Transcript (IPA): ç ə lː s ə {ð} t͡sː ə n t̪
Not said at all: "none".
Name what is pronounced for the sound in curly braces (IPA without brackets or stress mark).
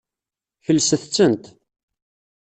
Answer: θ